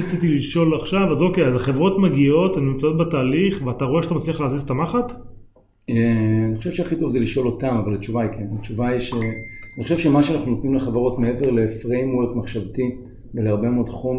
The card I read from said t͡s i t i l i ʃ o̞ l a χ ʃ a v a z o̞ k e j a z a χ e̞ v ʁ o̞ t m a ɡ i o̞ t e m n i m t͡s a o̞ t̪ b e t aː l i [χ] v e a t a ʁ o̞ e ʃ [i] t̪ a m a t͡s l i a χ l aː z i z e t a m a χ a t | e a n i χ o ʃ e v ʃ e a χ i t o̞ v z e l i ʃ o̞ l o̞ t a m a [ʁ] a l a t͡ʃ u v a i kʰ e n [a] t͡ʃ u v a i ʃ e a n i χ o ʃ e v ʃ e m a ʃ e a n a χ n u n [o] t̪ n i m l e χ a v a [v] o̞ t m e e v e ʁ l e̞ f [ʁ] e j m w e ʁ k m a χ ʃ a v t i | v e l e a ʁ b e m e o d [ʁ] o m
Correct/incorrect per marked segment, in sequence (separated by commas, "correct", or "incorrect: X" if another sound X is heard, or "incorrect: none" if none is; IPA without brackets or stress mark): correct, incorrect: a, incorrect: v, correct, correct, incorrect: ʁ, correct, incorrect: χ